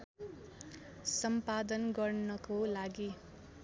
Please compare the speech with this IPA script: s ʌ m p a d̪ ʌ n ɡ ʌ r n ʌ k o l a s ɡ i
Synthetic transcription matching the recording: s ʌ m p a d̪ ʌ n ɡ ʌ r n ʌ k o l a ɡ i